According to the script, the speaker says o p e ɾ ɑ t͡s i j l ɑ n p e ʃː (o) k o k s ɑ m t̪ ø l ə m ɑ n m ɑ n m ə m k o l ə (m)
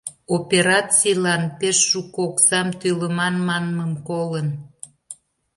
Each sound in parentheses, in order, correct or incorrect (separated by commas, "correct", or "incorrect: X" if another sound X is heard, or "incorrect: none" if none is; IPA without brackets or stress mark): incorrect: u, incorrect: n